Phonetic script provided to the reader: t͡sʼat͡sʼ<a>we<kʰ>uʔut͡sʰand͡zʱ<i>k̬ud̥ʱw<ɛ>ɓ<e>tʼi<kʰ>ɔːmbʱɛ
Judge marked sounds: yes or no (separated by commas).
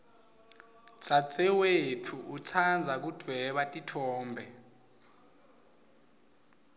no, no, no, yes, no, no